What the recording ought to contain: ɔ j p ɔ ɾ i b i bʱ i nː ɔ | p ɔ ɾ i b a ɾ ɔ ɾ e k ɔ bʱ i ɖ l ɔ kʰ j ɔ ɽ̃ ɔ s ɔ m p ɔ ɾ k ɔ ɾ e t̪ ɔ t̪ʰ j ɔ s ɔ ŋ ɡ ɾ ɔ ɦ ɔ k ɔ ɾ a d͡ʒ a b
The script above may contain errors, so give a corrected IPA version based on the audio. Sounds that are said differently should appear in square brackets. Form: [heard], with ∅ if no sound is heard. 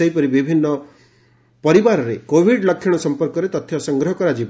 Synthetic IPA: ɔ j p ɔ ɾ i b i bʱ i nː ɔ | p ɔ ɾ i b a ɾ ɔ ɾ e k [o] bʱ i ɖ l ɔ kʰ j ɔ ɽ̃ ɔ s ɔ m p ɔ ɾ k ɔ ɾ e t̪ ɔ t̪ʰ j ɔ s ɔ ŋ ɡ ɾ ɔ ɦ ɔ k ɔ ɾ a d͡ʒ [i] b